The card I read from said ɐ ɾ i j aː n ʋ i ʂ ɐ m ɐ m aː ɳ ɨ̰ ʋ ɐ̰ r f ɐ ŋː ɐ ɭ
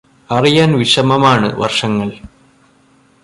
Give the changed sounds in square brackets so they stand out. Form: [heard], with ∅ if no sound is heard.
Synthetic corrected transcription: ɐ [r] i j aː n ʋ i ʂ ɐ m ɐ m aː ɳ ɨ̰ ʋ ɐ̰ r [ʂ] ɐ ŋː ɐ ɭ